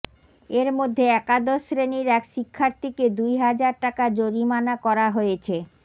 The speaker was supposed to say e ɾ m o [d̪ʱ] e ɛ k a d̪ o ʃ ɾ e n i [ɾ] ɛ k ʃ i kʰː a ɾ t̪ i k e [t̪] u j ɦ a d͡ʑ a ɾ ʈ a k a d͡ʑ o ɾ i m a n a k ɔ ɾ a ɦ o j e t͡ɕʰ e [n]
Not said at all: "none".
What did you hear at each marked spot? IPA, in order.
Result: d̪ʱː, ɾ, d̪, none

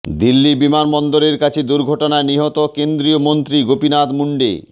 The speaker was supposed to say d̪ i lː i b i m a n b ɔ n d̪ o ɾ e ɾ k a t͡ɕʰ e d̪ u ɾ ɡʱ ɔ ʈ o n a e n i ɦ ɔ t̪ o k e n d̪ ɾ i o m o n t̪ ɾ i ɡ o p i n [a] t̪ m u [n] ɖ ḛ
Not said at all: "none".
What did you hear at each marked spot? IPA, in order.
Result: a, ɳ

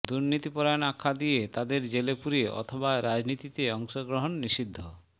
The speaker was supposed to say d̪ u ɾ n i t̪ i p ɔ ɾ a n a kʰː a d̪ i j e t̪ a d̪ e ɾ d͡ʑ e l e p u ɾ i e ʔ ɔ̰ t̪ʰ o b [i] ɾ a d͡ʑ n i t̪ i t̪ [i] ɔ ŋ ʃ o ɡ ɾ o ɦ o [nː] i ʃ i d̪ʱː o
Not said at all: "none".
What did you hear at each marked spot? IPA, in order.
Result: a, e, nː

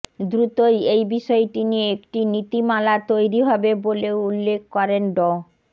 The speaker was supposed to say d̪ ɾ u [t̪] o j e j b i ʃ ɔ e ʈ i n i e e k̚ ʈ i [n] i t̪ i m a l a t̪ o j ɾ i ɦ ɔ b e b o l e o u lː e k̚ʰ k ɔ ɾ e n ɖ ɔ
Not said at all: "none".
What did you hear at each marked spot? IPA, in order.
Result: t̪, n

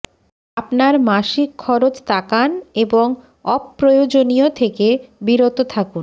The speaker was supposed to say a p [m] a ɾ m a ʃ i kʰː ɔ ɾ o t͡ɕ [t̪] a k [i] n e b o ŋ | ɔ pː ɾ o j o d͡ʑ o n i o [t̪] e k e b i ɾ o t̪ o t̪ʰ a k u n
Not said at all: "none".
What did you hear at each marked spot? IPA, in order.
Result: n, t̪, a, t̪ʰ

